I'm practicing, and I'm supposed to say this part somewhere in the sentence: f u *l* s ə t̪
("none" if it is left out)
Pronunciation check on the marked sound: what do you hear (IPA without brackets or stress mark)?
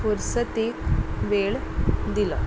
ɾ